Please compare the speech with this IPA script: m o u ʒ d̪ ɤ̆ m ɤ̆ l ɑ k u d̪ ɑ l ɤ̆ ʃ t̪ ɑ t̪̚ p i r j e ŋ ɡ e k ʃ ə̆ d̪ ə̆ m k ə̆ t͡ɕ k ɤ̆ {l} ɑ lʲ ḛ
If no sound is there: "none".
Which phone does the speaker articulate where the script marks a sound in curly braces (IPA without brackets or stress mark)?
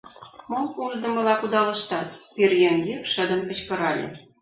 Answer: ɾ